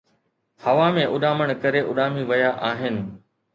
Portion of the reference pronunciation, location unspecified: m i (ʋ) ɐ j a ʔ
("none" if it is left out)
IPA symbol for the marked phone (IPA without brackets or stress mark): ʋ